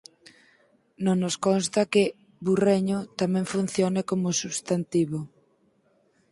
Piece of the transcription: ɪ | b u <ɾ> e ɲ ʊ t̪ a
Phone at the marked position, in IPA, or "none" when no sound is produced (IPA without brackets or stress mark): r